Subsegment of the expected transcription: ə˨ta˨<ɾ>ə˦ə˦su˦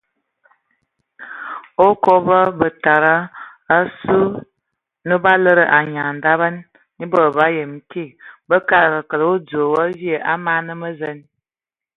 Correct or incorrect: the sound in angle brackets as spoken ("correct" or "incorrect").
correct